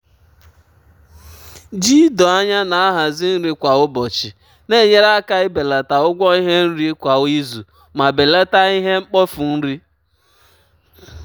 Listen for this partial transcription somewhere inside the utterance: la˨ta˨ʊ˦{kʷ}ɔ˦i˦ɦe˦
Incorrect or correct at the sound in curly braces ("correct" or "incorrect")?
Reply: incorrect